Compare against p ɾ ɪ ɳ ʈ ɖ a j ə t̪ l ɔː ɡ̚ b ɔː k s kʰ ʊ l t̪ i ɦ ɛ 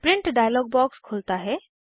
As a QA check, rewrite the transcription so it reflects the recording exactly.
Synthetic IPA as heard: p ɾ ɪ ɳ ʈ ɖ a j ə l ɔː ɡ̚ b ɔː k s kʰ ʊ l t̪ a ɦ ɛ